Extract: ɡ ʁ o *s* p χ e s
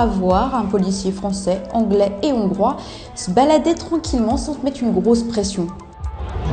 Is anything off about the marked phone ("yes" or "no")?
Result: no